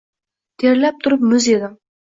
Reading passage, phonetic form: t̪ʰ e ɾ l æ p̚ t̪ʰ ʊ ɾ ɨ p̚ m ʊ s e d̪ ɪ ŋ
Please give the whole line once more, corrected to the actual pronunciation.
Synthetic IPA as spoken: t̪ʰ e ɾ l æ p̚ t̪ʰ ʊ ɾ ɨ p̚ m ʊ z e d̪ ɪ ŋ